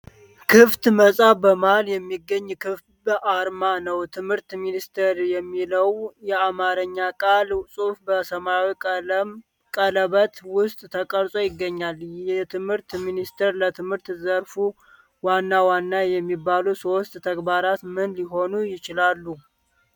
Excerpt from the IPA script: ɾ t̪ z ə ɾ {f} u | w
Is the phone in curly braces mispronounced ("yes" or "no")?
no